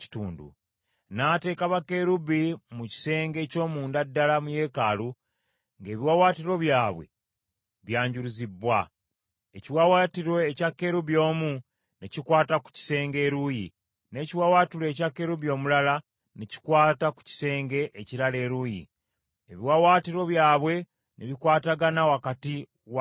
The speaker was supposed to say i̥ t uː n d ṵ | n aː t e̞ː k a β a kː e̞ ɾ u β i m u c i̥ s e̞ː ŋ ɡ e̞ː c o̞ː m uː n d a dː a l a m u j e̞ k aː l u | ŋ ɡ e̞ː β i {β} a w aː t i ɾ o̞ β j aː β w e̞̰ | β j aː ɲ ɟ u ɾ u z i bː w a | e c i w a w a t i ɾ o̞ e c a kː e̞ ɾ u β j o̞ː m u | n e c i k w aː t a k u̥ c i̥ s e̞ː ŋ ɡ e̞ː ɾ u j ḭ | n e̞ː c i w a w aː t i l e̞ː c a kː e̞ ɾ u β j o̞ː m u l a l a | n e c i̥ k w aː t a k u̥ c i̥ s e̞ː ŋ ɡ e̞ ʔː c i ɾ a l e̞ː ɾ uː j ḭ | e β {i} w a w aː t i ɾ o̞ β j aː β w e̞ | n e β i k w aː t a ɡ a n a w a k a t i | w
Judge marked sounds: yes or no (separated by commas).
no, yes